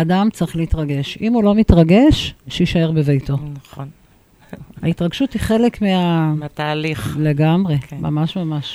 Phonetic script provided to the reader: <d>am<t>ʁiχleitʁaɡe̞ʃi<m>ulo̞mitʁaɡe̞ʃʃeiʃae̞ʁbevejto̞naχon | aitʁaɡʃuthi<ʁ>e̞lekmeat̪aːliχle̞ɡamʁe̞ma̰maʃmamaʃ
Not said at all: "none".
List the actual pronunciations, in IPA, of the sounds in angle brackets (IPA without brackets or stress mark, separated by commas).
d, t͡s, m, χ